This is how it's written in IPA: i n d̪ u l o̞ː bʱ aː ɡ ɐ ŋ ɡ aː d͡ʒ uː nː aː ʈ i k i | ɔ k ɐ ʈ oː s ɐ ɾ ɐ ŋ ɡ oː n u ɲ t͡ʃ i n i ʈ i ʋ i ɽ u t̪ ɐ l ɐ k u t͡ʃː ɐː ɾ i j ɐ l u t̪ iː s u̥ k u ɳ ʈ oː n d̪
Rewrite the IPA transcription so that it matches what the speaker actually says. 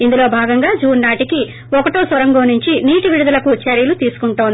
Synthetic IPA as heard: i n d̪ u l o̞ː bʱ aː ɡ ɐ ŋ ɡ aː d͡ʒ uː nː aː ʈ i k i | ɔ k ɐ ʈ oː s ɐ ɾ ɐ ŋ ɡ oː n u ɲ t͡ʃ i n iː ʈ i ʋ i ɽ u d̪ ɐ l ɐ k u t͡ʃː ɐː ɾ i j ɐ l u t̪ iː s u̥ k u ɳ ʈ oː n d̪